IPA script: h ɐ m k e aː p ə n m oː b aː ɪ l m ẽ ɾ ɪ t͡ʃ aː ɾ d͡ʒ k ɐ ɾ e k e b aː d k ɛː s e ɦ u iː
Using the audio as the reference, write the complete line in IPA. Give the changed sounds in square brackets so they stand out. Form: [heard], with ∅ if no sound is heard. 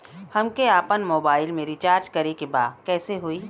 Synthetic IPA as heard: h ɐ m k e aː p ə n m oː b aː ɪ l m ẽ ɾ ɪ t͡ʃ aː ɾ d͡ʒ k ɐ ɾ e k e b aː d k ɛː s e ɦ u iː